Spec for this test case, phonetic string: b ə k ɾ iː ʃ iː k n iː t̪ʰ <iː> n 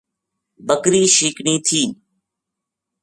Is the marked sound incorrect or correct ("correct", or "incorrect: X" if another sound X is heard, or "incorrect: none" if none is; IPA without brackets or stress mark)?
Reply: correct